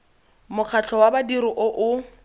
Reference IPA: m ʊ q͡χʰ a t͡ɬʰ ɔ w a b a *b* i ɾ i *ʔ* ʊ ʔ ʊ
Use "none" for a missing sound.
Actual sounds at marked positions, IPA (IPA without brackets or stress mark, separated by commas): d, ʔ